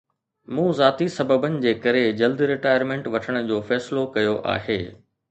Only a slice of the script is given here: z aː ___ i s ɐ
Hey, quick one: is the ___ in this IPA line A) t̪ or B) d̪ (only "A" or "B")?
A